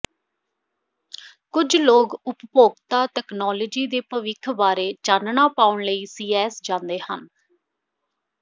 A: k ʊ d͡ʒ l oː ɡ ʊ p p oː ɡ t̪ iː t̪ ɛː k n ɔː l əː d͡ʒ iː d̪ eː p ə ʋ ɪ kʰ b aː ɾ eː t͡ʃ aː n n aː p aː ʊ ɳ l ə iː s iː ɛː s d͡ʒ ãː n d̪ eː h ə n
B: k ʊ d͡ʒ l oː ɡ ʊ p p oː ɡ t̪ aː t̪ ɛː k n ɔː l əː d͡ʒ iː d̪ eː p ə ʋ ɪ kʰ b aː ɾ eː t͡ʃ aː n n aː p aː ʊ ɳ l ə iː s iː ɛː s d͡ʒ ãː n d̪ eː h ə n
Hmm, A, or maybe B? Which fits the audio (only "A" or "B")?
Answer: B